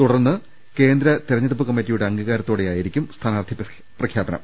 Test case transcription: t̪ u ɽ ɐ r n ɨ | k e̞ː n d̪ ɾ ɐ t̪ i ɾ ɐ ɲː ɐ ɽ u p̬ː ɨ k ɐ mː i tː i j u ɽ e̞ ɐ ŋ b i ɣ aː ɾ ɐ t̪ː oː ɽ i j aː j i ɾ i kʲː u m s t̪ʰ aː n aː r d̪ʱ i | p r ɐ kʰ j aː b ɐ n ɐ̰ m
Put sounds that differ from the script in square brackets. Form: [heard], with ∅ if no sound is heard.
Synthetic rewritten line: t̪ u ɽ ɐ r [nː] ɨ | k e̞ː n d̪ ɾ ɐ t̪ i ɾ ɐ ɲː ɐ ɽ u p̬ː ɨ k ɐ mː i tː i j u ɽ e̞ ɐ ŋ [ɡ] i ɣ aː ɾ ɐ t̪ː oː ɽ [e] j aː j i ɾ i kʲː u m s t̪ʰ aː n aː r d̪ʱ i | p r ɐ kʰ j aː b ɐ n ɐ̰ m

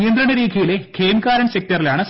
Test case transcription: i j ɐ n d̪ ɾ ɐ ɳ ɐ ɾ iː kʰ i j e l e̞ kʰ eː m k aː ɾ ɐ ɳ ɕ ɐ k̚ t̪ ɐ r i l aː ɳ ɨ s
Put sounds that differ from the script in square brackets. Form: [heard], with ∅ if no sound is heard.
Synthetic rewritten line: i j ɐ n d̪ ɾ ɐ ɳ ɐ ɾ iː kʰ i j [i] l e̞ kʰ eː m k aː ɾ ɐ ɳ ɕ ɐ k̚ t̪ ɐ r i l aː ɳ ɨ s

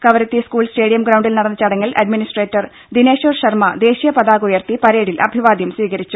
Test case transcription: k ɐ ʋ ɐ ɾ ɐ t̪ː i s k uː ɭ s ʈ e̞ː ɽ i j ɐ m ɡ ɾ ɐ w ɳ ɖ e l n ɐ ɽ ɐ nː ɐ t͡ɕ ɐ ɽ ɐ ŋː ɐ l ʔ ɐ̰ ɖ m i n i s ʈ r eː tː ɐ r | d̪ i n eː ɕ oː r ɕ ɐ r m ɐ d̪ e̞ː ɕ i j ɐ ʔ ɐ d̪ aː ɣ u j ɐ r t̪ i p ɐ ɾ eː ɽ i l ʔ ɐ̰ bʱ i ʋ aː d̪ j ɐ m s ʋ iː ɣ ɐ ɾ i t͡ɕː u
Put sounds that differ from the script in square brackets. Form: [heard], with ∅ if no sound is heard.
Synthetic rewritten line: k ɐ ʋ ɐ ɾ ɐ t̪ː i s k uː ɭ s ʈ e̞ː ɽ i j ɐ m ɡ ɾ ɐ w ɳ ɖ [i] l n ɐ ɽ ɐ nː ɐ t͡ɕ ɐ ɽ ɐ ŋː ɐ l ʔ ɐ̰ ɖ m i n i s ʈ r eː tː ɐ r | d̪ i n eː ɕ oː r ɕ ɐ r m ɐ d̪ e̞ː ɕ i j ɐ [p] ɐ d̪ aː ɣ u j ɐ r t̪ i p ɐ ɾ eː ɽ i l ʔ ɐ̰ bʱ i ʋ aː d̪ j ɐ m s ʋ iː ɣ ɐ ɾ i t͡ɕː u

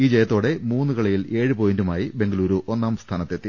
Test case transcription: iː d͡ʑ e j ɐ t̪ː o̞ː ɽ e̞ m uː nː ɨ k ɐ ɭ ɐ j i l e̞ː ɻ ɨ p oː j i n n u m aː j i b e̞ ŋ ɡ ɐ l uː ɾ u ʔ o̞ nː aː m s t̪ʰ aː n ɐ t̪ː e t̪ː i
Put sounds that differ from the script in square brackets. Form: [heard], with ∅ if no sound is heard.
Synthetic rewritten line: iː d͡ʑ e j ɐ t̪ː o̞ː ɽ e̞ m uː nː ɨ k ɐ ɭ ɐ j i l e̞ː ɻ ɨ p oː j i n [d] u m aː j i b e̞ ŋ ɡ ɐ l uː ɾ u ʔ o̞ nː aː m s t̪ʰ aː n ɐ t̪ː e t̪ː i

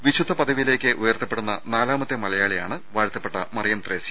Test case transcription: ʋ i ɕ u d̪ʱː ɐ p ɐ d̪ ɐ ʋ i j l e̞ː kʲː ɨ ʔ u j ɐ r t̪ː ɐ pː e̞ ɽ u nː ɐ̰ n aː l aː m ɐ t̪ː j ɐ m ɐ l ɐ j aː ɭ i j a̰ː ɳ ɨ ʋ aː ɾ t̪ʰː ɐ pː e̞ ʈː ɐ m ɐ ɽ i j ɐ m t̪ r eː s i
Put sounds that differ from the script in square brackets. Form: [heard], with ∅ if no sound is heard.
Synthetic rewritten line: ʋ i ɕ u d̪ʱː ɐ p ɐ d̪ ɐ ʋ i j l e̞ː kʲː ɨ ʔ u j ɐ r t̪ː ɐ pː e̞ ɽ u nː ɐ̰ n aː l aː m ɐ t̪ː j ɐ m ɐ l ɐ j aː ɭ i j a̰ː ɳ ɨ ʋ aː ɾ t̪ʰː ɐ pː e̞ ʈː ɐ m ɐ [r] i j ɐ m t̪ r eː s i

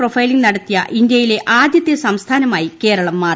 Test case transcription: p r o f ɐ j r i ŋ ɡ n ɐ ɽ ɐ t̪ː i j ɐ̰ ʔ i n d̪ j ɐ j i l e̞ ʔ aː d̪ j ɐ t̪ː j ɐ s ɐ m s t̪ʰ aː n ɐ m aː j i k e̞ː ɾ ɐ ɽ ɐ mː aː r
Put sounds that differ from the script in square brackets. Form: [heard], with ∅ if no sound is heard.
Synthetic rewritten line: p r o f ɐ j [l] i ŋ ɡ n ɐ ɽ ɐ t̪ː i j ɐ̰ ʔ i n d̪ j ɐ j i l e̞ ʔ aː d̪ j ɐ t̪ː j ɐ s ɐ m s t̪ʰ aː n ɐ m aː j i k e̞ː ɾ ɐ [ɭ] ɐ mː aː r

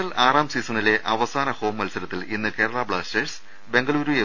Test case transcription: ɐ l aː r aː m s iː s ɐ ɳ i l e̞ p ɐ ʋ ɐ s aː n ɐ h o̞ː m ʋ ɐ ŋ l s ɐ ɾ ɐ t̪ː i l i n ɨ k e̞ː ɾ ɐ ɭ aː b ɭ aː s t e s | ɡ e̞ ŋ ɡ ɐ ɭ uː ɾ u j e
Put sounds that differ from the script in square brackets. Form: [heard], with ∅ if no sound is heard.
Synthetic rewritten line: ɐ l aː r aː m s iː s ɐ [n] i l e̞ [ʔ] ɐ ʋ ɐ s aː n ɐ h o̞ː m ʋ ɐ [∅] l s ɐ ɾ ɐ t̪ː i l i [nː] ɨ k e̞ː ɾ ɐ ɭ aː b ɭ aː s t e s | [b] e̞ ŋ ɡ ɐ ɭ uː ɾ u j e

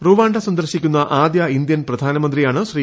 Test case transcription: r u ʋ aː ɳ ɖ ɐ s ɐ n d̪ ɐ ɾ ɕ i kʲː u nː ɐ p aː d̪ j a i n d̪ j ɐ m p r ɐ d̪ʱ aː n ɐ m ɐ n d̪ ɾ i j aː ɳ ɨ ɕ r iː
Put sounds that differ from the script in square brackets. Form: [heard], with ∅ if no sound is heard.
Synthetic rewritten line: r u ʋ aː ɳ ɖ ɐ s ɐ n d̪ ɐ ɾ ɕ i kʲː u nː ɐ [ʔ] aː d̪ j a i n d̪ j ɐ [n] p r ɐ d̪ʱ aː n ɐ m ɐ n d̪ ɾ i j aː ɳ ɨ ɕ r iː

